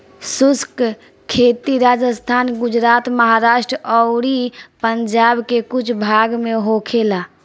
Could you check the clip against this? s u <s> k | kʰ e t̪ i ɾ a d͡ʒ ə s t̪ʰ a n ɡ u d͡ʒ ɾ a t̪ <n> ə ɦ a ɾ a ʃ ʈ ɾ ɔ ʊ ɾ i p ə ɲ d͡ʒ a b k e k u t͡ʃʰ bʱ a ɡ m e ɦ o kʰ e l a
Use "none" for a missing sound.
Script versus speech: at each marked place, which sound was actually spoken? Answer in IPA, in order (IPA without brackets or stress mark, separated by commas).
s, m